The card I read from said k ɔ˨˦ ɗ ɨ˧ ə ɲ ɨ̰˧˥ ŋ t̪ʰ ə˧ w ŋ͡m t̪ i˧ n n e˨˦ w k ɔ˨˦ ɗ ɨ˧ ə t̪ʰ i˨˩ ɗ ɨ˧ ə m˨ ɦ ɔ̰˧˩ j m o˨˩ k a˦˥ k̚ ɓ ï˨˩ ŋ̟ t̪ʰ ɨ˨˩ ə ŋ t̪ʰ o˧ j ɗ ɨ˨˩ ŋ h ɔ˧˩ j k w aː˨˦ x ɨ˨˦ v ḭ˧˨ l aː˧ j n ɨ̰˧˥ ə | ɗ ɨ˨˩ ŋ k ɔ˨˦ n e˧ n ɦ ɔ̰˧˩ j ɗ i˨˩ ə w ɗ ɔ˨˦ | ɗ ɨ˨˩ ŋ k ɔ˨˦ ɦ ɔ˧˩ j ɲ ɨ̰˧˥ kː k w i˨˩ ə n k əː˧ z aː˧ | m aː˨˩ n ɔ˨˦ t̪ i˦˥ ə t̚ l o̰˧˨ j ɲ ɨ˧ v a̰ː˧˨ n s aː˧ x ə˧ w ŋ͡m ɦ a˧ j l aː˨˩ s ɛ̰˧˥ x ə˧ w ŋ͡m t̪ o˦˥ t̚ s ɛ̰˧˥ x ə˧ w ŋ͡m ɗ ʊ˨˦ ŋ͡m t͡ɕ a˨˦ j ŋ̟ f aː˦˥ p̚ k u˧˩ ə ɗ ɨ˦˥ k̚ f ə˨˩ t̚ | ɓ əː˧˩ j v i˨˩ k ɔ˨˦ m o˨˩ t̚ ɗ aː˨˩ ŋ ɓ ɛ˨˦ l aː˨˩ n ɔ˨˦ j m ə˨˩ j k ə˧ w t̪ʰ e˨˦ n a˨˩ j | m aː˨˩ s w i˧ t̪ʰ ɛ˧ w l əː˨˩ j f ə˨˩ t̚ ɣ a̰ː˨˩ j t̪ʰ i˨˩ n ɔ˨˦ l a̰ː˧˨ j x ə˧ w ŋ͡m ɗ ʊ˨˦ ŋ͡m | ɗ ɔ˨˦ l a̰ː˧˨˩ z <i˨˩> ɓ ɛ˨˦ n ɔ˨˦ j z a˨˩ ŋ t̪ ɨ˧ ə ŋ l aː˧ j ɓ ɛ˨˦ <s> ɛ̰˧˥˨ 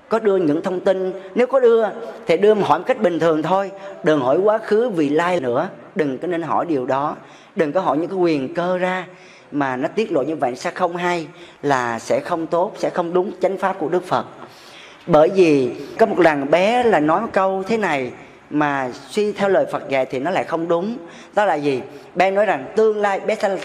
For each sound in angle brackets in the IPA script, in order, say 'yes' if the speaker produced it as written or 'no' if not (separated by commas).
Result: yes, yes